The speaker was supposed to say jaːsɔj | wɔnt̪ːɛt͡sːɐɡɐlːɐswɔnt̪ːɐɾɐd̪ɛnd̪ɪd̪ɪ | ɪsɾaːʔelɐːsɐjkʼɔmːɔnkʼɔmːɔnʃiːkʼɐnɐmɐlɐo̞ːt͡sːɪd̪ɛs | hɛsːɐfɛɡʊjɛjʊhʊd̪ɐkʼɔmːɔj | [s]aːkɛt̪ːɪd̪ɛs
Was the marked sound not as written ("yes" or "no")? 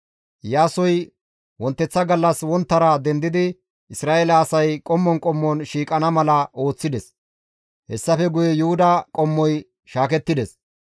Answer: yes